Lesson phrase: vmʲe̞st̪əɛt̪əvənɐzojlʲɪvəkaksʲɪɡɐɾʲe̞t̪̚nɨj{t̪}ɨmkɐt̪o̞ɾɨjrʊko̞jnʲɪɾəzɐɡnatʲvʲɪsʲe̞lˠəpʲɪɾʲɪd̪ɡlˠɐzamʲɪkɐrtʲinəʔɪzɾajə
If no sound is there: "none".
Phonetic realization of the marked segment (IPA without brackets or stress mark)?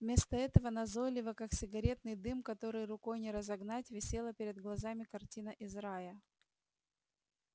d̪